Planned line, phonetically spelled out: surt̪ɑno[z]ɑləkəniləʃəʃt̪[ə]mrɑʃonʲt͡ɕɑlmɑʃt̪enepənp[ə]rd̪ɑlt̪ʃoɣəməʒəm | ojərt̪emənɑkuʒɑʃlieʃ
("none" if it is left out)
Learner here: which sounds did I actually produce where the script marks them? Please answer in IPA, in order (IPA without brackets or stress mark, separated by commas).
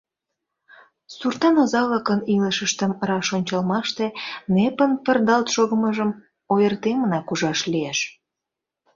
z, ə, ə